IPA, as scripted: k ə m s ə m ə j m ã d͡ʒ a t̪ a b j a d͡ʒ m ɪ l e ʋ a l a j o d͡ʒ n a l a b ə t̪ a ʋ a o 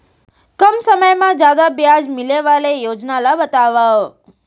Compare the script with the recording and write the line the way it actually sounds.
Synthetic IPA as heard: k ə m s ə m ə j m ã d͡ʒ a d̪ a b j a d͡ʒ m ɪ l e ʋ a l e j o d͡ʒ n a l a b ə t̪ a ʋ a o